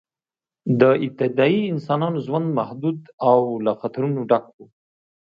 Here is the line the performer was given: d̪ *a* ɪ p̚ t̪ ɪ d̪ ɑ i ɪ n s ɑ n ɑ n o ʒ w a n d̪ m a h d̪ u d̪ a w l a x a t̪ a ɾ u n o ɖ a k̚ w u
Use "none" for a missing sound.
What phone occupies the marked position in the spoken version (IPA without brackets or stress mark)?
ə